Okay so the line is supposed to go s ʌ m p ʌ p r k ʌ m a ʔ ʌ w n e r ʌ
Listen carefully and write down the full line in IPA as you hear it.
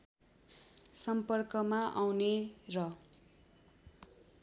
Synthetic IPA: s ʌ m p ʌ r k ʌ m a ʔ a w n e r ʌ